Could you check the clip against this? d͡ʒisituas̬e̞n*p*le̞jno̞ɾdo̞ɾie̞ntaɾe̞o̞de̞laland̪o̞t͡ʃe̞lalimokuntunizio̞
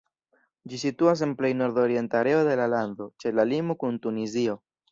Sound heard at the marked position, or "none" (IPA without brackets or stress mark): p